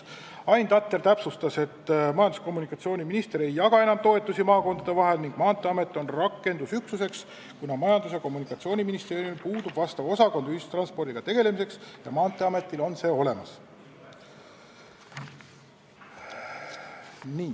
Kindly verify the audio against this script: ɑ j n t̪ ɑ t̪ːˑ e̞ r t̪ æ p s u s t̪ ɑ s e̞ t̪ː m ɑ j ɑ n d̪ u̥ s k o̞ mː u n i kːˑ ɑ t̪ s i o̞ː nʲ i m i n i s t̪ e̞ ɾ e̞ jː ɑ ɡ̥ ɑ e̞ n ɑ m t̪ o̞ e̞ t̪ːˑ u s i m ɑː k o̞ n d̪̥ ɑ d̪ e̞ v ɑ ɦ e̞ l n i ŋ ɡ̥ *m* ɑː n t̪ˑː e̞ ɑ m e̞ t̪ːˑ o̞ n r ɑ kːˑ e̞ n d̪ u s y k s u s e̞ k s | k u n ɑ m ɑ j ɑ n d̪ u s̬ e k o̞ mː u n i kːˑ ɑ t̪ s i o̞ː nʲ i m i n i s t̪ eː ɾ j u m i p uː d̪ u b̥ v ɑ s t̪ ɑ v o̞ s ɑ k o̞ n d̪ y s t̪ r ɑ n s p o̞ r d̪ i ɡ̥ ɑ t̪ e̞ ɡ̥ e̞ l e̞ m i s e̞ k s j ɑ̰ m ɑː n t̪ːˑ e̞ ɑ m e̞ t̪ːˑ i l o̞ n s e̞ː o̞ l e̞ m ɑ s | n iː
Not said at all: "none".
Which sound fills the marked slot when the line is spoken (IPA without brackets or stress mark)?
m